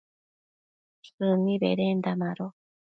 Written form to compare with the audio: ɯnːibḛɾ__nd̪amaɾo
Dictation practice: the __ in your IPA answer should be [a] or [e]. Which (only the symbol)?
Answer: e